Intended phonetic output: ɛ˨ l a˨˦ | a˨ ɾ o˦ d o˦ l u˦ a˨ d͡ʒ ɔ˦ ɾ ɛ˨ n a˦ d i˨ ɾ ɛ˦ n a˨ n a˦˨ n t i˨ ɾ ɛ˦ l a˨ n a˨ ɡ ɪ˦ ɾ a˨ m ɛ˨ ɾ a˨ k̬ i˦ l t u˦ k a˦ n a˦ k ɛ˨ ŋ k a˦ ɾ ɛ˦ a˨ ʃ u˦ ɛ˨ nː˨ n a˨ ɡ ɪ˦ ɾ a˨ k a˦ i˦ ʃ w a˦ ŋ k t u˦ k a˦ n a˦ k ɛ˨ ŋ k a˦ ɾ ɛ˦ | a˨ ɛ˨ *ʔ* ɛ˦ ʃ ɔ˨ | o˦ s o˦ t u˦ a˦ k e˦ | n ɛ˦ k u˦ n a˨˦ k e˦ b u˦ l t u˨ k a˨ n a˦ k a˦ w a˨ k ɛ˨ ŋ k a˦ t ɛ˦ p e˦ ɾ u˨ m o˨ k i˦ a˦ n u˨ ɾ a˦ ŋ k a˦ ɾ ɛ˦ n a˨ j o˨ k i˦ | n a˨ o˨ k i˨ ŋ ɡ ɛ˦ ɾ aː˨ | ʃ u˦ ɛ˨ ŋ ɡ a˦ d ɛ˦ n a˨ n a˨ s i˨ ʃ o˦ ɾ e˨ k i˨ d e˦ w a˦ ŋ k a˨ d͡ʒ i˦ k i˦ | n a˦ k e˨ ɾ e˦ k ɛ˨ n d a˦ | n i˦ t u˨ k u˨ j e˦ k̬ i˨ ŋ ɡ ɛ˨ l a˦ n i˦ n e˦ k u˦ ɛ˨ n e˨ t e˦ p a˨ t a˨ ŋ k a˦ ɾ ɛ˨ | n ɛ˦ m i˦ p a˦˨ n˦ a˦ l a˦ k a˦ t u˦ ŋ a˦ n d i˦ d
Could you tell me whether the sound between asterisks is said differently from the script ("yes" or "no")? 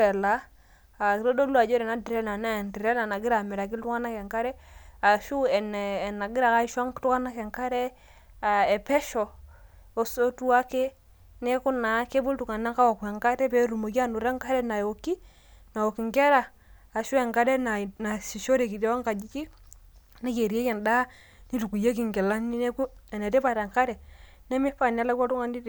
yes